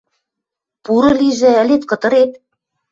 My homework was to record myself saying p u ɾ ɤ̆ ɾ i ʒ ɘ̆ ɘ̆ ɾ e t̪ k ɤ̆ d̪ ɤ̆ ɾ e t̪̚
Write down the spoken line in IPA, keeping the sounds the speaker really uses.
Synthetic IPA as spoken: p u ɾ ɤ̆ l i ʒ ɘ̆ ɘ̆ l e t̪ k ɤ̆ t̪ ɤ̆ ɾ e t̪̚

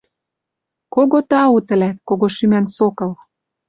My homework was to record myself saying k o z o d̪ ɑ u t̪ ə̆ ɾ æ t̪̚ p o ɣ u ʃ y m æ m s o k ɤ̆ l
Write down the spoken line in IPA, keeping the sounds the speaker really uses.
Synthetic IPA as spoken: k o ɣ o t̪ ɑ u t̪ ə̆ l æ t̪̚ k o ɣ o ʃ y m æ n s o k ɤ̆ l

